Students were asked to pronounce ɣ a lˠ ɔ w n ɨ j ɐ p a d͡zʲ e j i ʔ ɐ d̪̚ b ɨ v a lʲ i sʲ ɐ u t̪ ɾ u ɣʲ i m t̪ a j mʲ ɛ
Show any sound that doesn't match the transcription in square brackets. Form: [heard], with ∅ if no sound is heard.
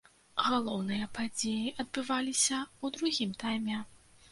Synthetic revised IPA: ɣ a lˠ ɔ w n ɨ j ɐ p a d͡zʲ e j i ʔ ɐ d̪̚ b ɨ v a lʲ i sʲ ɐ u [d̪] ɾ u ɣʲ i m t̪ a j mʲ ɛ